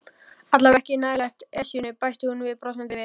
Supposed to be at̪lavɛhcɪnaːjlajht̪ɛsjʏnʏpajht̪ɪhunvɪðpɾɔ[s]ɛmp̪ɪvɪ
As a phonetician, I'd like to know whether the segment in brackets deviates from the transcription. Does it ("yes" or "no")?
no